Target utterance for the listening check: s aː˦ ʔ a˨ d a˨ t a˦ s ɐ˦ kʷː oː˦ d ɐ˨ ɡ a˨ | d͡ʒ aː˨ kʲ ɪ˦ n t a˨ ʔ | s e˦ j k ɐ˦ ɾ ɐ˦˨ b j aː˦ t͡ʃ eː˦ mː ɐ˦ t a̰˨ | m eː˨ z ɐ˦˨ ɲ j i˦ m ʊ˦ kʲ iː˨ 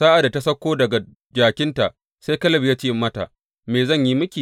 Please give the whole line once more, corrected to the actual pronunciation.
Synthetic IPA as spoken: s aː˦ ʔ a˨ d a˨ t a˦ s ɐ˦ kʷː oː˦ d ɐ˨ ɡ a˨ | d͡ʒ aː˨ kʲ ɪ˦ n t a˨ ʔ | s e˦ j k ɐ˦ l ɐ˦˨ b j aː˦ t͡ʃ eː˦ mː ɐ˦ t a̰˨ | m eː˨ z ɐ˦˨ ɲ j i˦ m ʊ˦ kʲ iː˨